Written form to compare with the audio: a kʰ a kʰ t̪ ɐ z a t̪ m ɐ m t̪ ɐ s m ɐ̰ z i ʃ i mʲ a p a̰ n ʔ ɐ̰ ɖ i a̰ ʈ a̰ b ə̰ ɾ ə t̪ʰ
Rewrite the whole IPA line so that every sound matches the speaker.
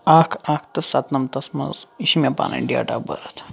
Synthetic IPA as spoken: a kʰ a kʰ t̪ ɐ s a t̪ n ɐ m t̪ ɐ s m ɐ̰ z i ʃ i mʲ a p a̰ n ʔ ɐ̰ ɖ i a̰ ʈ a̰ b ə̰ ɾ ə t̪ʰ